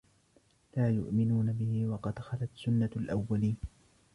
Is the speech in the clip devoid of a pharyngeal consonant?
yes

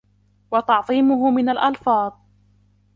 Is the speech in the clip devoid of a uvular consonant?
yes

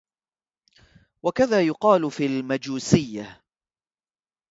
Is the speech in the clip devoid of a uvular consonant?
no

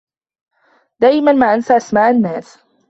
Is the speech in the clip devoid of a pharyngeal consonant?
yes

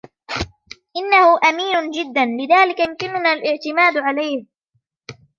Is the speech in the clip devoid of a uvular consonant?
yes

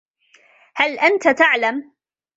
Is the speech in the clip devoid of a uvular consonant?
yes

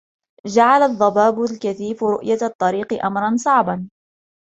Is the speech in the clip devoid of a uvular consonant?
no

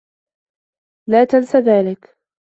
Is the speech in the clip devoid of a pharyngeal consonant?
yes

